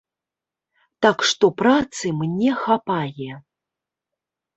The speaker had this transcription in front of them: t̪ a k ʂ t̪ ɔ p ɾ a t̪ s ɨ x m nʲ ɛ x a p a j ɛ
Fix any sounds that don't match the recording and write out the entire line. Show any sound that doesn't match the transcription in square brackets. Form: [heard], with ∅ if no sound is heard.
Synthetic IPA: t̪ a k ʂ t̪ ɔ p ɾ a t̪ s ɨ [∅] m nʲ ɛ x a p a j ɛ